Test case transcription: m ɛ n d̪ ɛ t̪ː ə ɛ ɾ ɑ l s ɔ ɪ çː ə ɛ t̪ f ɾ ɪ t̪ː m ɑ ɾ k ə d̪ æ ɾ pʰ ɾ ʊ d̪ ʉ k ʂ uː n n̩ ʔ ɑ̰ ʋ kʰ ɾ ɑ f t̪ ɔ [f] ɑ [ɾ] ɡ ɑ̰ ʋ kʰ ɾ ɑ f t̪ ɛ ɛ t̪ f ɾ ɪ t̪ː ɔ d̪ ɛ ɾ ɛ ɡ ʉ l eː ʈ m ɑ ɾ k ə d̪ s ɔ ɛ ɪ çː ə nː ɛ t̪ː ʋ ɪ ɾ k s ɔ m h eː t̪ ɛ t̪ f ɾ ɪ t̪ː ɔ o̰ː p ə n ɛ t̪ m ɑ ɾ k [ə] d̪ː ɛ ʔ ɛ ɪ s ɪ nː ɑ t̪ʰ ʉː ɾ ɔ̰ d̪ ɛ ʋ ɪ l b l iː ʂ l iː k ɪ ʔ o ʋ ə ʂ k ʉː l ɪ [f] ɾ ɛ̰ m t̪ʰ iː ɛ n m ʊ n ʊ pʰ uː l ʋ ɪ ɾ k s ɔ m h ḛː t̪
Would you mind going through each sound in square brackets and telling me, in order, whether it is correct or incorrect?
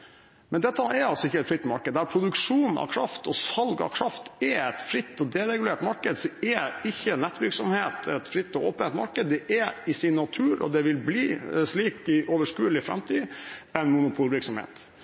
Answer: incorrect: s, incorrect: l, correct, correct

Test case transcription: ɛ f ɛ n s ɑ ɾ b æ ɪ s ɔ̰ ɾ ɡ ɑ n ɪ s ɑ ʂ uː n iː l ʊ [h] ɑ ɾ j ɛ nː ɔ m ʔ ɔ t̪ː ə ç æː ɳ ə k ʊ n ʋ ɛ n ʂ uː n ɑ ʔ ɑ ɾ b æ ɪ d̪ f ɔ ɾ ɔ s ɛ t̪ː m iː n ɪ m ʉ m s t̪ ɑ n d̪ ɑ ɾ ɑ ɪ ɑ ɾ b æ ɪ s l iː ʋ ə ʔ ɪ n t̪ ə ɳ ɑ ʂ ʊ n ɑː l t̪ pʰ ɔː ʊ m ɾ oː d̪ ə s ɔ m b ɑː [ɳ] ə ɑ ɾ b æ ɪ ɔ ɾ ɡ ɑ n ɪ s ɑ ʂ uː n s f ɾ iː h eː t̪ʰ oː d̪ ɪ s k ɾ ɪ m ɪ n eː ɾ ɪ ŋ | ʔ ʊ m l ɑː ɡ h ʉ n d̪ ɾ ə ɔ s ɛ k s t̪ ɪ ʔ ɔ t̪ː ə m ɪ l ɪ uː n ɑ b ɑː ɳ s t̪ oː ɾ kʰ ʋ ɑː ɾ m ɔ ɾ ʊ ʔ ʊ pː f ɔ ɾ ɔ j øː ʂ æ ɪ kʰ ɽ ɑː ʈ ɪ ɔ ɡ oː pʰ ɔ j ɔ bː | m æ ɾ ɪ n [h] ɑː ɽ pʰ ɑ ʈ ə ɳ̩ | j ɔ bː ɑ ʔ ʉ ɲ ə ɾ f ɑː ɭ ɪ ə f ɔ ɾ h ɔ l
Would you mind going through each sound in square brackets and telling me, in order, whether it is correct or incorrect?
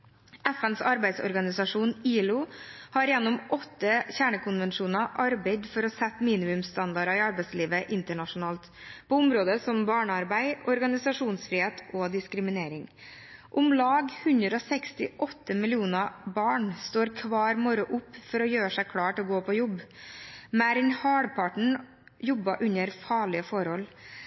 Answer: correct, correct, correct

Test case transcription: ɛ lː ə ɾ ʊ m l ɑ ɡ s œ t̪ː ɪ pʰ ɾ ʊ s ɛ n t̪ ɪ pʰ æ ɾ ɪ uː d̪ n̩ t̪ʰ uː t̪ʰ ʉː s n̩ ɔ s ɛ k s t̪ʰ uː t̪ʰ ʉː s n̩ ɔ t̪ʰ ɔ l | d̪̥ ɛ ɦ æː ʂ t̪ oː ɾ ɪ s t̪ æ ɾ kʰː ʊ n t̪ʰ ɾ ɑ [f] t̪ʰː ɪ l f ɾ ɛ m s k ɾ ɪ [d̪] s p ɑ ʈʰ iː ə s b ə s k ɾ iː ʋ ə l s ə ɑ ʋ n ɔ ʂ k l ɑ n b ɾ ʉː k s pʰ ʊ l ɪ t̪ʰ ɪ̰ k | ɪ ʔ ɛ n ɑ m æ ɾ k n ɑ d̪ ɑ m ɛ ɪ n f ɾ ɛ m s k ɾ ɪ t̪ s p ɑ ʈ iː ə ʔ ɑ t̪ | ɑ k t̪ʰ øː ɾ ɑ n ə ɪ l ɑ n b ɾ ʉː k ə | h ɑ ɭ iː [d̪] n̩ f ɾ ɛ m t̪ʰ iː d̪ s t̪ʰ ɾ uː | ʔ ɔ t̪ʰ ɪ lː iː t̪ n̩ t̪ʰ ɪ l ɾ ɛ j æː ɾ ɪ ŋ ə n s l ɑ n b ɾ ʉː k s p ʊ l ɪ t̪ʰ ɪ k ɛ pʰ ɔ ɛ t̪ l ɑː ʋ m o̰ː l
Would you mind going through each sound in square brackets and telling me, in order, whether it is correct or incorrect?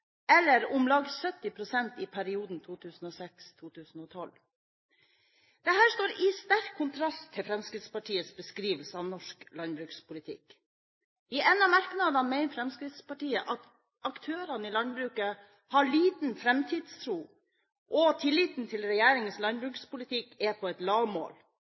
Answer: incorrect: s, incorrect: t̪, incorrect: t̪

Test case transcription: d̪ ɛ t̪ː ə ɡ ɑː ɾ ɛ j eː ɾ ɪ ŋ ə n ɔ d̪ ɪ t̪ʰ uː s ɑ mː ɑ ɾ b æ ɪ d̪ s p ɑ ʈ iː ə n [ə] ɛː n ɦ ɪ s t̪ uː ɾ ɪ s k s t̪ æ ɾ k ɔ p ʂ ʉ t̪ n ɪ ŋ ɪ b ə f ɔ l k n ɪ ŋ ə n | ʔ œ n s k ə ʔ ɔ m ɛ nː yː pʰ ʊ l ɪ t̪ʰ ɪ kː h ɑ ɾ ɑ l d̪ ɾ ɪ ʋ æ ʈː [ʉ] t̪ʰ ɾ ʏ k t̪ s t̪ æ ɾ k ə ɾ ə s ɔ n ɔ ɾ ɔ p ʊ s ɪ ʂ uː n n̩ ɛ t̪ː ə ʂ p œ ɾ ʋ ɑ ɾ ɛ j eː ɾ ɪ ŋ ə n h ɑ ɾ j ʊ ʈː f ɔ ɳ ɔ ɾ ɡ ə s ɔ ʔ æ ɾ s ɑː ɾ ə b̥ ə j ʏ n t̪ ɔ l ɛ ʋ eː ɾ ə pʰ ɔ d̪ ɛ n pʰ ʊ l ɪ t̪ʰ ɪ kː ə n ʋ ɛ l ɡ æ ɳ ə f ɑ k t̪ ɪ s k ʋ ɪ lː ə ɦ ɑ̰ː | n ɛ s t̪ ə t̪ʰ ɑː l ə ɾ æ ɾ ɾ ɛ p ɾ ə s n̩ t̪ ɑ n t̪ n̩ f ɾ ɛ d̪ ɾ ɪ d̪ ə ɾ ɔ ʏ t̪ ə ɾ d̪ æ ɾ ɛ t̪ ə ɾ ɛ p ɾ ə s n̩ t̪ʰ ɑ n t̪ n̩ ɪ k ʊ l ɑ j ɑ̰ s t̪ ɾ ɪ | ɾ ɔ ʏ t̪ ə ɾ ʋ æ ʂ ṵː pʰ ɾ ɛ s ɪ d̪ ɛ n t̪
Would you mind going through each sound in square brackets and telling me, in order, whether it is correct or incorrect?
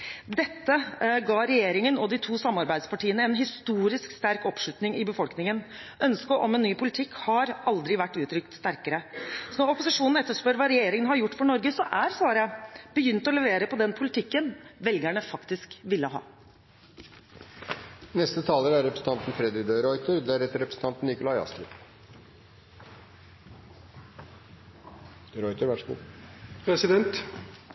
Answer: correct, incorrect: ʉː

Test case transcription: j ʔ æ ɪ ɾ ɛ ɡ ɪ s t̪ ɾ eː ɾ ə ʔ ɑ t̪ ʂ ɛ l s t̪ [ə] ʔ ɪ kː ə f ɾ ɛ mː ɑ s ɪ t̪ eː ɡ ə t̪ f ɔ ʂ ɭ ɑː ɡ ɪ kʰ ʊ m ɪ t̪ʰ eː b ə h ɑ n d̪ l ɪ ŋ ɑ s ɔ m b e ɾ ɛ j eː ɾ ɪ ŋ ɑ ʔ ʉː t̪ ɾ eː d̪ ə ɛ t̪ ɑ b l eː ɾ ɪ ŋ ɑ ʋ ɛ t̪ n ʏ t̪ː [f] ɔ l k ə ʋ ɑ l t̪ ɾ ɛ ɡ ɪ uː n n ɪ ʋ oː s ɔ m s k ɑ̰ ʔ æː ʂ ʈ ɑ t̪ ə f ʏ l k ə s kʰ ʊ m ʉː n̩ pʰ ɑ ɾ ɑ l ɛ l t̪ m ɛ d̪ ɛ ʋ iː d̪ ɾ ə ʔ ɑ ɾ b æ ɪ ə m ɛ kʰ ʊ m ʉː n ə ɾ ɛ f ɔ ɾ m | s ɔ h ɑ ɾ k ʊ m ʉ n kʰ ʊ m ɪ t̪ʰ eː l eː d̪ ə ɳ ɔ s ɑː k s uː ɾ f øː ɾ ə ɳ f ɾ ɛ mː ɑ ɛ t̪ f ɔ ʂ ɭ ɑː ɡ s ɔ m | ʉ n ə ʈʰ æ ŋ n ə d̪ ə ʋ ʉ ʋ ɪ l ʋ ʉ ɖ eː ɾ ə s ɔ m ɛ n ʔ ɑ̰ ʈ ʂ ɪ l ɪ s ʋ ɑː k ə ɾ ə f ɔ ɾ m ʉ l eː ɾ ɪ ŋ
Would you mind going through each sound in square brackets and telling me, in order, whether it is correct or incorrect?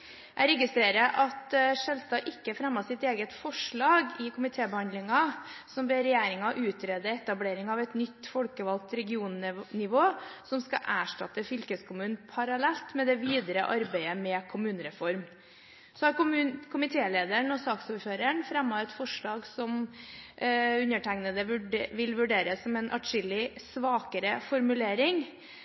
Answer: incorrect: ɑ, correct

